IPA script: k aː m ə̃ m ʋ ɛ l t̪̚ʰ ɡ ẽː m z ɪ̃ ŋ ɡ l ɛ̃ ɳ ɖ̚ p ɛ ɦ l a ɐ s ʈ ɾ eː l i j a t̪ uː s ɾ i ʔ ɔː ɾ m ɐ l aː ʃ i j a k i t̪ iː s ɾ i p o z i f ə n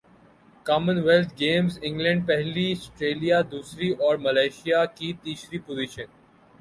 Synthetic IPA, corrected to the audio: k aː m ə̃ n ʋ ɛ l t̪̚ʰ ɡ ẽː m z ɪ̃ ŋ ɡ l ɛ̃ ɳ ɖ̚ p ɛ ɦ l i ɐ s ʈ ɾ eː l i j a d̪ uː s ɾ i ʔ ɔː ɾ m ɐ l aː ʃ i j a k i t̪ iː s ɾ i p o z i ʃ ə n